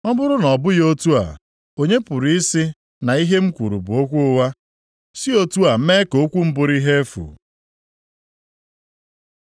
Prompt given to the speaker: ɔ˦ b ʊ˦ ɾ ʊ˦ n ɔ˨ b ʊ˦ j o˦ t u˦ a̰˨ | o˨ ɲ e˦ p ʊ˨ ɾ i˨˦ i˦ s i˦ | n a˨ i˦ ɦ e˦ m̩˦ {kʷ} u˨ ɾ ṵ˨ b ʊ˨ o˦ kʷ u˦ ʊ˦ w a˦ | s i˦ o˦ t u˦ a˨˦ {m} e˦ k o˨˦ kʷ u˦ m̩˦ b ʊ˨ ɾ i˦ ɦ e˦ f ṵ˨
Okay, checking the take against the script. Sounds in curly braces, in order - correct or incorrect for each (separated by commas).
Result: correct, correct